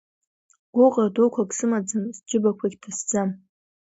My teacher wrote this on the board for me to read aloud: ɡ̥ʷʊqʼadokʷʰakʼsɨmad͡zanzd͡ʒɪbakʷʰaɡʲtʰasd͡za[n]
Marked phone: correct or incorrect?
incorrect